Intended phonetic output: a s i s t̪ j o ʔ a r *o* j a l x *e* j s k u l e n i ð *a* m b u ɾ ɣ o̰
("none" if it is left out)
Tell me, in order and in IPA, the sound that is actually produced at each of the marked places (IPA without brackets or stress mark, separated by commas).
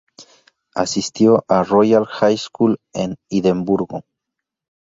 o, a, e